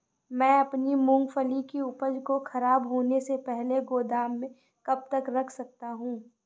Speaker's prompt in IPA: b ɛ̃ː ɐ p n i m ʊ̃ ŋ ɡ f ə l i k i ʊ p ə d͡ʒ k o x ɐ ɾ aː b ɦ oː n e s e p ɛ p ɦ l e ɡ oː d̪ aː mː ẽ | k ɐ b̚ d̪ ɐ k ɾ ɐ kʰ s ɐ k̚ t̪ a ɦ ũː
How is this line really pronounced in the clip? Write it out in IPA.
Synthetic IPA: m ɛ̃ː ɐ p n i m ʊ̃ ŋ ɡ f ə l i k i ʊ p ə d͡ʒ k o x ɐ ɾ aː b ɦ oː n e s e p ɛ ɦ l e ɡ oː d̪ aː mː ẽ | k ɐ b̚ t̪ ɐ k ɾ ɐ kʰ s ɐ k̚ t̪ a ɦ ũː